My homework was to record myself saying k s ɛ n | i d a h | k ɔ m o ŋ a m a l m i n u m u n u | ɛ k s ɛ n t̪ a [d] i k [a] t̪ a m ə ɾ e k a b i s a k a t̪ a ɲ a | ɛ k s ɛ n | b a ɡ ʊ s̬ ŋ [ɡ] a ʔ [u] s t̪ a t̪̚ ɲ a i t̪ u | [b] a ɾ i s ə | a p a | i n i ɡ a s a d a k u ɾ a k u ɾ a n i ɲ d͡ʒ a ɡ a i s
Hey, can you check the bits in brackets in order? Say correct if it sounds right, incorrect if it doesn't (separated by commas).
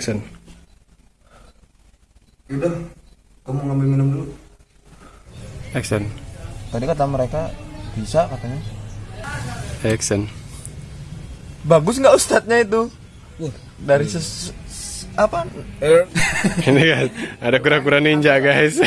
correct, correct, correct, correct, incorrect